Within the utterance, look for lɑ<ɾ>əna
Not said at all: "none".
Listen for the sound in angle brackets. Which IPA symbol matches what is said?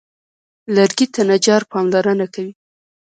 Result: ɾ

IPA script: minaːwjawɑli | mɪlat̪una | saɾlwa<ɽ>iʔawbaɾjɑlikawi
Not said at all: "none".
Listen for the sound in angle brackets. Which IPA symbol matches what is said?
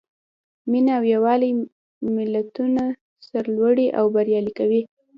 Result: ɽ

